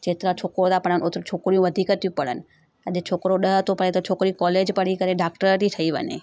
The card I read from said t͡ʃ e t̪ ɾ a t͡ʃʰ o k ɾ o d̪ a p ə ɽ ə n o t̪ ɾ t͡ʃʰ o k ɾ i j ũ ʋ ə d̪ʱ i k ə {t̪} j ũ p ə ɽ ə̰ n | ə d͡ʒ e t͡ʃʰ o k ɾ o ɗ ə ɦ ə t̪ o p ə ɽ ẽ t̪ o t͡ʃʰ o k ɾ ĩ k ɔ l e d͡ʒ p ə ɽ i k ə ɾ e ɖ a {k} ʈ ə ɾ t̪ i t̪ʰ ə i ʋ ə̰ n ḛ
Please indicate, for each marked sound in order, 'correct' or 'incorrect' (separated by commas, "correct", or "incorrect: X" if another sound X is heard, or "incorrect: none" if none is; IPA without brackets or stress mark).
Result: correct, correct